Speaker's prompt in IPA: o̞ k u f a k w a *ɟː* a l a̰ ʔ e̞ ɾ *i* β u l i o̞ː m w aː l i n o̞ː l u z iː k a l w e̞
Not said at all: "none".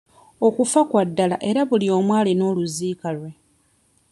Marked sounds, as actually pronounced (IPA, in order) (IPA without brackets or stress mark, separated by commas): dː, a